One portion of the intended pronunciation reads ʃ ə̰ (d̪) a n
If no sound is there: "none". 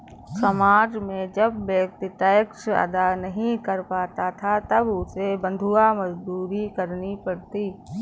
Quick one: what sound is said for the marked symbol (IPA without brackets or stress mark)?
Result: d̪